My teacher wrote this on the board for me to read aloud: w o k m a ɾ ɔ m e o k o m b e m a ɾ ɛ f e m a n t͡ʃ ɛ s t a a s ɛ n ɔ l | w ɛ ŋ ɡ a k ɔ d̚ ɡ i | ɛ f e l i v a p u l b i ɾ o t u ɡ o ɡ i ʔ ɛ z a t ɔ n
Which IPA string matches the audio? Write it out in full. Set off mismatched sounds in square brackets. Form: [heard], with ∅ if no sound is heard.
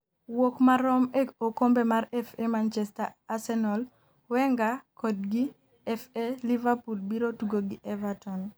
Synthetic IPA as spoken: w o k m a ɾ ɔ m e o k o m b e m a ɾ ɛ f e m a n t͡ʃ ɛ s t a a s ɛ n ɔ l | w ɛ ŋ ɡ a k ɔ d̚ ɡ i | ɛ f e l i v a p u l b i ɾ o t u ɡ o ɡ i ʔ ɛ [v] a t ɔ n